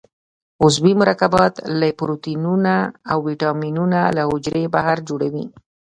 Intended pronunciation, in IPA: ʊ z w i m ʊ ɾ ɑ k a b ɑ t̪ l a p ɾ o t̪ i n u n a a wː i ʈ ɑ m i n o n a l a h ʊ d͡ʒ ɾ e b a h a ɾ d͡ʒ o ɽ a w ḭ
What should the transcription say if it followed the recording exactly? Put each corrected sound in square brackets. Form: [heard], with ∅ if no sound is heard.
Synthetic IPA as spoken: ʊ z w i m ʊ ɾ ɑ k a b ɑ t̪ l a p ɾ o t̪ i n u n a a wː i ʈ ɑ m i n [u] n a l a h ʊ d͡ʒ ɾ e b a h a ɾ d͡ʒ o ɽ a w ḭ